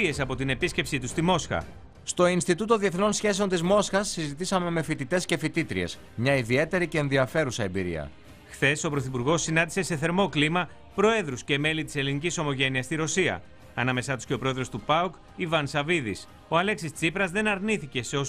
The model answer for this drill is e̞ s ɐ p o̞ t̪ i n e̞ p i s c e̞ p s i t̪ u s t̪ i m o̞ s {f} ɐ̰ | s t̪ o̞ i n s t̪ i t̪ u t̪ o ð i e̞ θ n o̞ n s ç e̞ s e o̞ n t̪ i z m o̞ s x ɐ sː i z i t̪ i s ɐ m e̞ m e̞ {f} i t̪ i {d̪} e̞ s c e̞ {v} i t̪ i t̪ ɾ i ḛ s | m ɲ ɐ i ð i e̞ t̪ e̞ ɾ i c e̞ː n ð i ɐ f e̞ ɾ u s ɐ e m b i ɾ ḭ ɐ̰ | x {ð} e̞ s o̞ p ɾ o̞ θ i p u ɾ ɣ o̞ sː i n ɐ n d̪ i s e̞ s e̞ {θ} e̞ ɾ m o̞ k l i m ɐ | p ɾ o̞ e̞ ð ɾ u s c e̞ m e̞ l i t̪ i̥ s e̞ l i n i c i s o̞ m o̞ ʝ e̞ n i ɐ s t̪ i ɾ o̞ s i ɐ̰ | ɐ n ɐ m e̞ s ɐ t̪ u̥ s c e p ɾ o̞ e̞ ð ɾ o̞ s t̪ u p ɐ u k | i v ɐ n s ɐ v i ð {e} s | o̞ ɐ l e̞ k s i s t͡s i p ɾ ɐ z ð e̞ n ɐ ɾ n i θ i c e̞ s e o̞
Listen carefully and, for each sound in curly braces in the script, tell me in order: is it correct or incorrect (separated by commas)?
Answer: incorrect, correct, incorrect, incorrect, incorrect, correct, incorrect